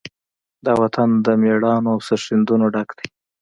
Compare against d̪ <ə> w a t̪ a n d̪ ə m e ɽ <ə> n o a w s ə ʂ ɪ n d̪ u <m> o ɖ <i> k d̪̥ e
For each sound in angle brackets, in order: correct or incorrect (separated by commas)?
incorrect, incorrect, incorrect, incorrect